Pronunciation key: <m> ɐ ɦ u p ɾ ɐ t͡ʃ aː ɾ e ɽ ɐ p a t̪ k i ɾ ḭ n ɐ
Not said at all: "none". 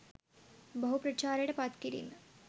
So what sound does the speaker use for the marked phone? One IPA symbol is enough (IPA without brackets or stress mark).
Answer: b